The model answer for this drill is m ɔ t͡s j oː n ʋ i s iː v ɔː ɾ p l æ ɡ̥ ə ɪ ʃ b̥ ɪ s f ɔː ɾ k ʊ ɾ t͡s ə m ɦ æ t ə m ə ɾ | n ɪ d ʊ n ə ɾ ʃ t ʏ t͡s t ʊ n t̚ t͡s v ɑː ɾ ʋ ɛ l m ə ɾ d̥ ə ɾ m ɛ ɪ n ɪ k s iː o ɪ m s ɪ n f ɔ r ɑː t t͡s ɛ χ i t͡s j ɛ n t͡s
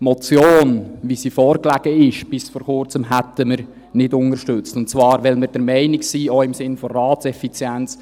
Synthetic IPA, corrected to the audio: m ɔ t͡s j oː n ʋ i s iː f ɔː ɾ k l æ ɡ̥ ə ɪ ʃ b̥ ɪ s f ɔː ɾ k ʊ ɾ t͡s ə m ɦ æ t ə m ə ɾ | n ɪ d ʊ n ə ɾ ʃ t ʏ t͡s t ʊ n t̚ t͡s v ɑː ɾ ʋ ɛ l m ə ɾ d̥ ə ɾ m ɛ ɪ n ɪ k s iː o ɪ m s ɪ n f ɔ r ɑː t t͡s ɛ f i t͡s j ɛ n t͡s